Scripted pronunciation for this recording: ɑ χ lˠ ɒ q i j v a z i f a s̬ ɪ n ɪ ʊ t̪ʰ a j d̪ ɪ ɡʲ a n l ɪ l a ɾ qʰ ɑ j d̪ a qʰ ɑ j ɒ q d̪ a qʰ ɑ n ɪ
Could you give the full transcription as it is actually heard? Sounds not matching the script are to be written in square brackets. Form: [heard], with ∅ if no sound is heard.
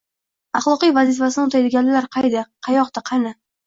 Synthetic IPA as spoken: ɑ χ lˠ ɒ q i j v a z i f a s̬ ɪ n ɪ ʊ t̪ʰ a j d̪ ɪ ɡʲ a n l ɪ l a ɾ qʰ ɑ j d̪ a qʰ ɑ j ɒ q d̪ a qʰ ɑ n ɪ